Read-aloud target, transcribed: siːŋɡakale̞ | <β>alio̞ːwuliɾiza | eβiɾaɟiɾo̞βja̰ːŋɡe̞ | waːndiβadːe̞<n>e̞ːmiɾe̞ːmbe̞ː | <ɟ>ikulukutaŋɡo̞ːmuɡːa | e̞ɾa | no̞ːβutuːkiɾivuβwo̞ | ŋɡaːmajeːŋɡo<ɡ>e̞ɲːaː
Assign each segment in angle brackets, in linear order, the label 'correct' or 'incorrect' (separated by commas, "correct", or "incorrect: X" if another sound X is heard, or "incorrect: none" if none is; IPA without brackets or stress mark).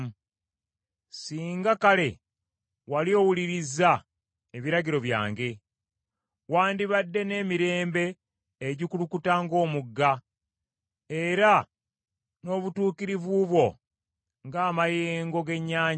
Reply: incorrect: w, correct, correct, correct